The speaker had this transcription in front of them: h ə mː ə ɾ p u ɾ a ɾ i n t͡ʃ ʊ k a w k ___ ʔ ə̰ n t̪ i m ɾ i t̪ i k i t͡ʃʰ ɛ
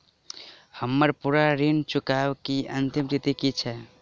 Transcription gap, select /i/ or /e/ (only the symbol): i